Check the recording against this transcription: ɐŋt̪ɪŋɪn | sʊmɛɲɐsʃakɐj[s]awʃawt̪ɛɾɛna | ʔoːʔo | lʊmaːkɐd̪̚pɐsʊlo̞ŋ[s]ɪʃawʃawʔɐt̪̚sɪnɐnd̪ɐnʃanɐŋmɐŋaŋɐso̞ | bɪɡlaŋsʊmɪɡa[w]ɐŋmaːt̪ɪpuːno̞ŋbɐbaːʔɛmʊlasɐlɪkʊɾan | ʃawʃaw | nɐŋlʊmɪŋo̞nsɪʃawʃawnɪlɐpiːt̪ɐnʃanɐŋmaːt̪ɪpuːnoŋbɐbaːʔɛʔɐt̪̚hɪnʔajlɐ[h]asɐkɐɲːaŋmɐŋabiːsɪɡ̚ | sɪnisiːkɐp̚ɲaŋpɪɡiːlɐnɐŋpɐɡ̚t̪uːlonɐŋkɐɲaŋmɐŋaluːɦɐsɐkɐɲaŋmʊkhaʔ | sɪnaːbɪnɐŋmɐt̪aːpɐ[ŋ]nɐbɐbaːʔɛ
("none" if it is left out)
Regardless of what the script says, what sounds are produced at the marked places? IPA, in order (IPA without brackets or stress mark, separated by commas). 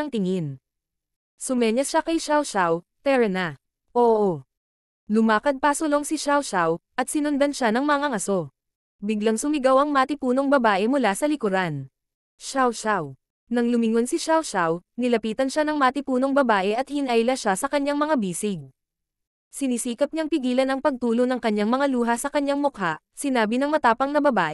ʃ, s, w, ʃ, ŋ